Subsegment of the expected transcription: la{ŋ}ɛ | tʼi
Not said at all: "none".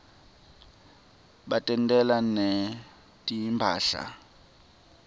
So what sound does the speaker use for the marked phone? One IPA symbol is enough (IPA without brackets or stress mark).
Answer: n